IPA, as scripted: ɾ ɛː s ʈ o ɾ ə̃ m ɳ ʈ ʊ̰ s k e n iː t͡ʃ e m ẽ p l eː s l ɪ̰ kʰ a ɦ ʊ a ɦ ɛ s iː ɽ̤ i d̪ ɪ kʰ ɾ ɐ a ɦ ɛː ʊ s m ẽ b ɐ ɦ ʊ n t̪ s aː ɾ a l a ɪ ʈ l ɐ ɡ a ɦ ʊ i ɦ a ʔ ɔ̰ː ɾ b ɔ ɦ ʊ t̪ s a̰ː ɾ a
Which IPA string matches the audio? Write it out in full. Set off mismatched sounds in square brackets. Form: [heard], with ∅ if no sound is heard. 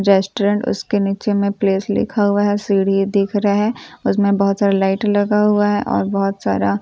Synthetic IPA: ɾ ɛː s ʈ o ɾ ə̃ [∅] ɳ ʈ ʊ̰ s k e n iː t͡ʃ e m ẽ p l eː s l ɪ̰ kʰ a ɦ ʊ a ɦ ɛ s iː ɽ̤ i d̪ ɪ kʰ ɾ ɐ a ɦ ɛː ʊ s m ẽ b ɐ ɦ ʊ [∅] t̪ s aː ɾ a l a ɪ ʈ l ɐ ɡ a ɦ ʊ [a] ɦ [ɛ] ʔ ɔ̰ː ɾ b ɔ ɦ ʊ t̪ s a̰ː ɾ a